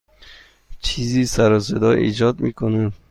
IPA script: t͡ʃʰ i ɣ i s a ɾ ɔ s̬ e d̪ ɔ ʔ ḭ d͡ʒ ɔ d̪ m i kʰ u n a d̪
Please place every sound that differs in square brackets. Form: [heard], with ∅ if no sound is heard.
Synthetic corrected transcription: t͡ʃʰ i [z] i s a ɾ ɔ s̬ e d̪ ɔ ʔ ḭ d͡ʒ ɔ d̪ m i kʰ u n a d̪